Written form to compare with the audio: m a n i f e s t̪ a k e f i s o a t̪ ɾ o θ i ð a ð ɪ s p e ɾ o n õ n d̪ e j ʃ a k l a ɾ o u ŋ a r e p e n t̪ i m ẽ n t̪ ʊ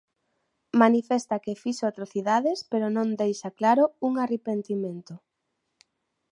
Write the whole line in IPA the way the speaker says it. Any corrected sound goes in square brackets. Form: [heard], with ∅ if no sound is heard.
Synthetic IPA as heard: m a n i f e s t̪ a k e f i [ʃ] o a t̪ ɾ o θ i ð a ð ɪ s p e ɾ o n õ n d̪ e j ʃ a k l a ɾ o u ŋ a r e p e n t̪ i m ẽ n t̪ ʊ